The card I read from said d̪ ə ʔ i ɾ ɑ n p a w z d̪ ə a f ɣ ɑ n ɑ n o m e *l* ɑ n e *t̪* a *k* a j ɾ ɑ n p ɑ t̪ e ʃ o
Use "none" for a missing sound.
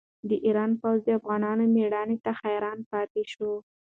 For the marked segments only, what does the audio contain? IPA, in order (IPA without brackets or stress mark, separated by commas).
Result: ɽ, t̪, x